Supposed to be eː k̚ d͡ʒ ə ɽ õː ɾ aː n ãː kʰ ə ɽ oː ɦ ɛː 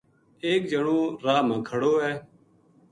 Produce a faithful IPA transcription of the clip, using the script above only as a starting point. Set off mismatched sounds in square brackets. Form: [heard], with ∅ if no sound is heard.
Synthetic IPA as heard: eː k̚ d͡ʒ ə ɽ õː ɾ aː [m] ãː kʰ ə ɽ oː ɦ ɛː

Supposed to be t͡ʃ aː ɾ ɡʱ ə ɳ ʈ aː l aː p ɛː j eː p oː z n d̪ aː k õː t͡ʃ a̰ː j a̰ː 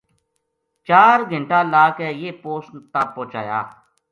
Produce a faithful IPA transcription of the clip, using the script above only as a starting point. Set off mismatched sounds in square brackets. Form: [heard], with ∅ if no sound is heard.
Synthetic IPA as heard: t͡ʃ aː ɾ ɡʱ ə ɳ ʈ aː l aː [k] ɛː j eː p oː [s] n [t̪] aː [p] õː t͡ʃ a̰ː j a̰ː

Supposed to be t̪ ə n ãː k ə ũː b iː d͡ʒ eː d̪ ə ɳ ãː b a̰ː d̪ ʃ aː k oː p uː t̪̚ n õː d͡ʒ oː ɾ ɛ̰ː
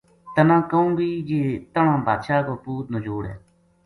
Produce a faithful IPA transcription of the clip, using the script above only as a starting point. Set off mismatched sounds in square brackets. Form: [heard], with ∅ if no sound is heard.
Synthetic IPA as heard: t̪ ə n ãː k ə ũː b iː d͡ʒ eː [t̪] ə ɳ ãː b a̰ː d̪ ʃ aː k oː p uː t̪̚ n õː d͡ʒ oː [ɽ] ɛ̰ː

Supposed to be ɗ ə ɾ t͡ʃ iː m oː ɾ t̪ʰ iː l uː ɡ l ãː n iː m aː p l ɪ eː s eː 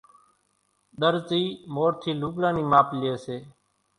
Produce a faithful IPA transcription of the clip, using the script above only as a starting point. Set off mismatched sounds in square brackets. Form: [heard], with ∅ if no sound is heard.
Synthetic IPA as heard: ɗ ə ɾ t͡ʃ iː m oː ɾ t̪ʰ iː l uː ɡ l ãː n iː m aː p l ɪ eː s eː

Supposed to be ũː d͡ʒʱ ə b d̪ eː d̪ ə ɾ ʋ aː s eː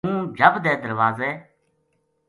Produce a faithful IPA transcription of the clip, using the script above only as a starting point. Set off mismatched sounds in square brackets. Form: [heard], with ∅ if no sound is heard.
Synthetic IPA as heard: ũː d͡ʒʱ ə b d̪ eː d̪ ə ɾ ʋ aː [z] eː

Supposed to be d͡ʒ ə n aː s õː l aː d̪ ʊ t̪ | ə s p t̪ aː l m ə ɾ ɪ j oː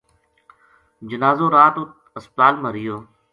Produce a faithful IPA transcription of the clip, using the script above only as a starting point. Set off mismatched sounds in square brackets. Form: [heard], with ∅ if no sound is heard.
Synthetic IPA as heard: d͡ʒ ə n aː [z] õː [ɾ] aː [t̪] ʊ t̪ | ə s p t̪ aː l m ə ɾ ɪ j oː

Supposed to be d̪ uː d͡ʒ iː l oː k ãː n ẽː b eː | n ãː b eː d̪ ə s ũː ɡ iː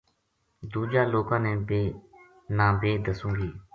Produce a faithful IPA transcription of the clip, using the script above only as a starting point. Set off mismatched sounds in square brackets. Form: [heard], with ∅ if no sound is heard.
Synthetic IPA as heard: d̪ uː d͡ʒ [aː] l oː k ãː n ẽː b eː | n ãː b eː d̪ ə s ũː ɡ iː

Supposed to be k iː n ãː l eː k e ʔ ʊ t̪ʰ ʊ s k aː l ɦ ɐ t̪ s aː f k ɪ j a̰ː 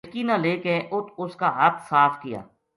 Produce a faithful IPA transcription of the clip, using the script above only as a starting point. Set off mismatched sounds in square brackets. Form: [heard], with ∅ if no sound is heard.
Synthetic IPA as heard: k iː n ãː l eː k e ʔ ʊ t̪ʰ ʊ s k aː [∅] ɦ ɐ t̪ s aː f k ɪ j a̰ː

